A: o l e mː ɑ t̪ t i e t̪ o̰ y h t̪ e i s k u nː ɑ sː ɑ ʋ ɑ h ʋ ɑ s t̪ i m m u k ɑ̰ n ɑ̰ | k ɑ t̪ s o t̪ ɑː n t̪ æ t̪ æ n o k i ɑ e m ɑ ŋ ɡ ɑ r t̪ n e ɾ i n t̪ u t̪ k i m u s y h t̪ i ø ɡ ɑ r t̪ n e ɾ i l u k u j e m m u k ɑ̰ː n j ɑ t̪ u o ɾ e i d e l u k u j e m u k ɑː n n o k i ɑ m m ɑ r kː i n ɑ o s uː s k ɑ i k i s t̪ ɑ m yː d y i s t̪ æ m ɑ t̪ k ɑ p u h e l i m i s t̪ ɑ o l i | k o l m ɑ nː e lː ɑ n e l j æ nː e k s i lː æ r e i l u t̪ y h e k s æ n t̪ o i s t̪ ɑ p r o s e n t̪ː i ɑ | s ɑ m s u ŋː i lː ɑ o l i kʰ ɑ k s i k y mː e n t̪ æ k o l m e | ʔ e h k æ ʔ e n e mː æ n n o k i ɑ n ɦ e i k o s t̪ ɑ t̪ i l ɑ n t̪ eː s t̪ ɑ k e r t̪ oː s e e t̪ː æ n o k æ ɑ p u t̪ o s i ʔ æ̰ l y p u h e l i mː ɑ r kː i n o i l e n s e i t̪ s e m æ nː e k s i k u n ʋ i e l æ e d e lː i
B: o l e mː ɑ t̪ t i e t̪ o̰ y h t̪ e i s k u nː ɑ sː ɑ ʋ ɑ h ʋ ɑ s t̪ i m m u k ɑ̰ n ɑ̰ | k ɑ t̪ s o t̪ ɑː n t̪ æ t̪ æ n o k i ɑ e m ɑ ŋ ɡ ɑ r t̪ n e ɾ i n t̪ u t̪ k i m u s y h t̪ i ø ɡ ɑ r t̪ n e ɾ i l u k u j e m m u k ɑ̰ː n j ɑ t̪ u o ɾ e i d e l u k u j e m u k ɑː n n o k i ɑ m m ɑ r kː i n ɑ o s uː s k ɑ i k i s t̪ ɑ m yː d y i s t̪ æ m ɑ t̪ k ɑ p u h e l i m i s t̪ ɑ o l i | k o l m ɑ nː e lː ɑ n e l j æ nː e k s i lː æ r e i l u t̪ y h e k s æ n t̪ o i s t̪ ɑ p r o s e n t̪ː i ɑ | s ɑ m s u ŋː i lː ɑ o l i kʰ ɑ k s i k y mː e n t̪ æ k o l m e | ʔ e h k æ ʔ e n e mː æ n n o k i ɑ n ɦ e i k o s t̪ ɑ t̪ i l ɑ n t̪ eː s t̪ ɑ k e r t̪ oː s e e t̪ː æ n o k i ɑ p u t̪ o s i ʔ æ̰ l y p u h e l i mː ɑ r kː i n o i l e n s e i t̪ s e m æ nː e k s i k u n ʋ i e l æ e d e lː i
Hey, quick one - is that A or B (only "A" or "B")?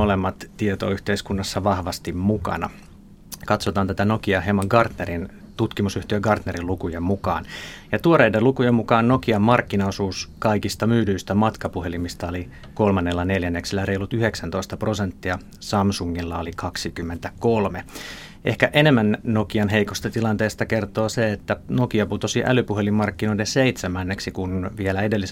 B